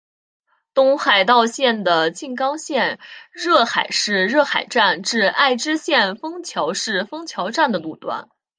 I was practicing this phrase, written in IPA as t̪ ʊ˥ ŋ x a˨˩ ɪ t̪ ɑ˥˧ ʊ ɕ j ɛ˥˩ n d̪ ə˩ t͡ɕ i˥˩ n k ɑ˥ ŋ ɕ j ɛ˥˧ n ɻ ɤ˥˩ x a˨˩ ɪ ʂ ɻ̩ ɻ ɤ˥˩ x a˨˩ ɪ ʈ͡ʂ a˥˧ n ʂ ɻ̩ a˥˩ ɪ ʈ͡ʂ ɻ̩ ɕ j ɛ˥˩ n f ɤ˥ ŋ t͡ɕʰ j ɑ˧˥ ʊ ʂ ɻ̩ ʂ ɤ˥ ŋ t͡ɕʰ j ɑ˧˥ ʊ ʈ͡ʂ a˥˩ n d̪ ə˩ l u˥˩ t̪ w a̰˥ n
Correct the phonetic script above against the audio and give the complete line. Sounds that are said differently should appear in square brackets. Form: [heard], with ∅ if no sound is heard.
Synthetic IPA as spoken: t̪ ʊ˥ ŋ x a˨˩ ɪ t̪ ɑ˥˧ ʊ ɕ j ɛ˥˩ n d̪ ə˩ t͡ɕ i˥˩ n k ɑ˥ ŋ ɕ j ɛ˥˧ n ɻ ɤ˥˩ x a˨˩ ɪ ʂ ɻ̩ ɻ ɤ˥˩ x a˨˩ ɪ ʈ͡ʂ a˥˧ n [ʈ͡ʂ] ɻ̩ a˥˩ ɪ ʈ͡ʂ ɻ̩ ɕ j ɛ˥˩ n f ɤ˥ ŋ t͡ɕʰ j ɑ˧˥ ʊ ʂ ɻ̩ [f] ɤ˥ ŋ t͡ɕʰ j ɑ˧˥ ʊ ʈ͡ʂ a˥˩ n d̪ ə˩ l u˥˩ t̪ w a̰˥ n